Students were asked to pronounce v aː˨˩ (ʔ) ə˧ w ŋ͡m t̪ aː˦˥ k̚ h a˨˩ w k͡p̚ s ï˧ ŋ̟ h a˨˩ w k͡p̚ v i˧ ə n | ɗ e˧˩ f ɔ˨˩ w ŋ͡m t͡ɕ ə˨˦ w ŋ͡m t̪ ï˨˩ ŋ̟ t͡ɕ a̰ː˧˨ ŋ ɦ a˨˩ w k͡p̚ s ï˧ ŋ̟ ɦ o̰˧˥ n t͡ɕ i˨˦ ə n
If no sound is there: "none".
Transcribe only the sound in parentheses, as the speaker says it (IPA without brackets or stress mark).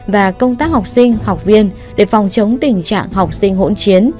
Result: k